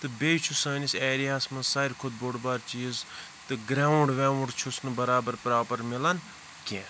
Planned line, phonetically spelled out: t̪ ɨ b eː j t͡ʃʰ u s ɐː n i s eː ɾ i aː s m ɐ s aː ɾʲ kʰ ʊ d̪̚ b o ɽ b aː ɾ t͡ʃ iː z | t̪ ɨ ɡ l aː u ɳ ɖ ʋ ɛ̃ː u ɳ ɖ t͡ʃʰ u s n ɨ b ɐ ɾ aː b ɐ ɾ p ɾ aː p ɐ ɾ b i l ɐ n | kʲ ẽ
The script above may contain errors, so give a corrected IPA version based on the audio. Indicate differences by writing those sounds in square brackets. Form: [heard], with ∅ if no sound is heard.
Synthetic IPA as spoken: t̪ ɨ b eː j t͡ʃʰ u s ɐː n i s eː ɾ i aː s m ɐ s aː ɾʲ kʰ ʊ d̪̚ b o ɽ b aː ɾ t͡ʃ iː z | t̪ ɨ ɡ [ɾ] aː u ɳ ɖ ʋ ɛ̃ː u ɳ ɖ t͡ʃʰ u s n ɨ b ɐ ɾ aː b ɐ ɾ p ɾ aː p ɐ ɾ [m] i l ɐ n | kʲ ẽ